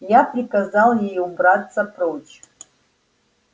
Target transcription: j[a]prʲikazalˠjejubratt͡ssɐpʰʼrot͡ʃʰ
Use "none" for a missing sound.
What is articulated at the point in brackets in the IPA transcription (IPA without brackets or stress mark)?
a